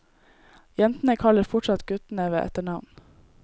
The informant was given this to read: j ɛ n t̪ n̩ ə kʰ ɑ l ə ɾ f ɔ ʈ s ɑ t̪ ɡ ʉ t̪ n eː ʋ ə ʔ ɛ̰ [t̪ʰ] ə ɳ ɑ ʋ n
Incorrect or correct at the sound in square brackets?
incorrect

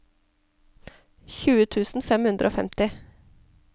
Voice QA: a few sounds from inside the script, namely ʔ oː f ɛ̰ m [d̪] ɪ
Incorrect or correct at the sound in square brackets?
incorrect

